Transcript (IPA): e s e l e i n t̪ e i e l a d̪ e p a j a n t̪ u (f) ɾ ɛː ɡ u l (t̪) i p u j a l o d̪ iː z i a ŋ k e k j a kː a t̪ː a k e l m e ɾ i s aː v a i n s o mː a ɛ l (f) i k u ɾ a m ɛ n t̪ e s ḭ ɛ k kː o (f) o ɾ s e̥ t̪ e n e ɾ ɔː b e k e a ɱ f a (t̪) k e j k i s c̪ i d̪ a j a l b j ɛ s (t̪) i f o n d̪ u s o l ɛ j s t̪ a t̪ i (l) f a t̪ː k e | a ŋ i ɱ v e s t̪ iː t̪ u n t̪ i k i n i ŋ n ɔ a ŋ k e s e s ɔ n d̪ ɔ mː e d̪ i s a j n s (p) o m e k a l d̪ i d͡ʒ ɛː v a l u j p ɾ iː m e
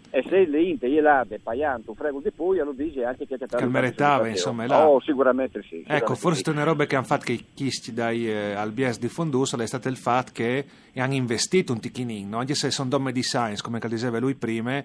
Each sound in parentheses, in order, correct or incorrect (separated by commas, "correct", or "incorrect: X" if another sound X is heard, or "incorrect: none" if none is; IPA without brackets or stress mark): correct, incorrect: d̪, incorrect: s, correct, correct, incorrect: d̪, correct, incorrect: k